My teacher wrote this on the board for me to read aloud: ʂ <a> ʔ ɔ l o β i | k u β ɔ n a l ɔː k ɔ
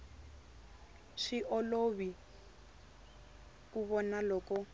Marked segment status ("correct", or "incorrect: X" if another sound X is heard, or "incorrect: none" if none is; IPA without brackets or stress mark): incorrect: i